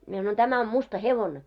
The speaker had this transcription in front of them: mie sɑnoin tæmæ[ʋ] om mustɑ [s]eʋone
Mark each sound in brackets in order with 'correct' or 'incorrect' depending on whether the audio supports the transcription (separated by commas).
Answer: incorrect, incorrect